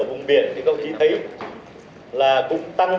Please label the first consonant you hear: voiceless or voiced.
voiced